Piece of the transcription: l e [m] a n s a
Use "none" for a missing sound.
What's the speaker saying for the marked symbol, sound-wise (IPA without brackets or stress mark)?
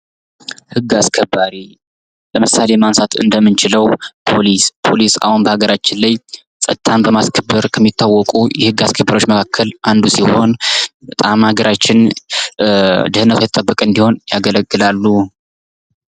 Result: m